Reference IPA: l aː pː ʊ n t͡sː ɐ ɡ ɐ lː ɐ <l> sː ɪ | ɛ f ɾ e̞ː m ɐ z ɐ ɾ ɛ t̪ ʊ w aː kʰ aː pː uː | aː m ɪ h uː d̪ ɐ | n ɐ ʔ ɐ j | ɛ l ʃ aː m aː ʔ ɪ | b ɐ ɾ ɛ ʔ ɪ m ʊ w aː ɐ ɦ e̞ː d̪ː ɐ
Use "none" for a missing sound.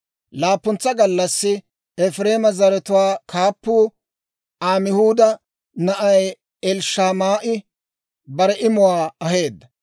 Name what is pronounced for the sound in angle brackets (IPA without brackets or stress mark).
none